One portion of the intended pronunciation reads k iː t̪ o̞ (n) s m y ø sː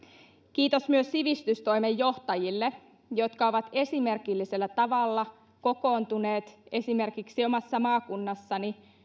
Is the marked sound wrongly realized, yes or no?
yes